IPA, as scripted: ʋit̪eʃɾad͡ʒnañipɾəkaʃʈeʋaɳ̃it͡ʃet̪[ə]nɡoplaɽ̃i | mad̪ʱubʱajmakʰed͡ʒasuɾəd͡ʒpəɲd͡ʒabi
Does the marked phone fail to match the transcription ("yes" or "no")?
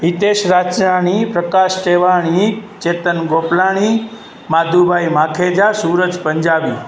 no